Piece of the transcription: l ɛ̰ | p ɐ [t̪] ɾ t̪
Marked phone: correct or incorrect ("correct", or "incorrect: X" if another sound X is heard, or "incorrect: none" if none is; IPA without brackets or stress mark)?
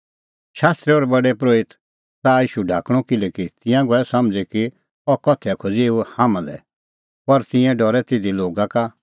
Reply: incorrect: none